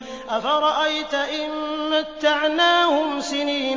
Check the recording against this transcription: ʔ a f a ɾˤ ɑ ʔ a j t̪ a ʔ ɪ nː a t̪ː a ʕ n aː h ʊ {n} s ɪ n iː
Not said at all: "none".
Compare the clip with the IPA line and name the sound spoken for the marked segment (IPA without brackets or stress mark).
m